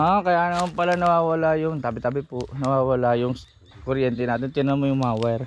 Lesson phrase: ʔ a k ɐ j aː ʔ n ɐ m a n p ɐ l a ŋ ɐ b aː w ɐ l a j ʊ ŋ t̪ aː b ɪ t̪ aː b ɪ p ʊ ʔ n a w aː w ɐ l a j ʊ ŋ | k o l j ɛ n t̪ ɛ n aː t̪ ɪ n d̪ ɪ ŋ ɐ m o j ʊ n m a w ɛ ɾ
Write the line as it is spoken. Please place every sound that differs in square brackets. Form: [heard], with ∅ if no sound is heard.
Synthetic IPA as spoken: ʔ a k ɐ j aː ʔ n ɐ m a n p ɐ l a [n] ɐ [w] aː w ɐ l a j ʊ ŋ t̪ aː b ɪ t̪ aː b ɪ p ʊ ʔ n [ɐ] w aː w ɐ l a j ʊ ŋ | k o [ɾ] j ɛ n t̪ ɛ n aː t̪ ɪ n [t̪] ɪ [n] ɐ m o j ʊ [ŋ] m a w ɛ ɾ